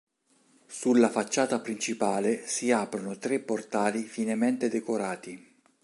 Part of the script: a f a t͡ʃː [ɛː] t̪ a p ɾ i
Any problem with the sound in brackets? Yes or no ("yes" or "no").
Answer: yes